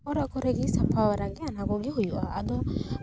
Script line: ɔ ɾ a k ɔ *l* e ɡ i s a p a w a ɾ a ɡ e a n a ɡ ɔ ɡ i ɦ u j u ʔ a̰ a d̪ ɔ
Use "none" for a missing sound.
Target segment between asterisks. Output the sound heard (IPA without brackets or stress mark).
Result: ɾ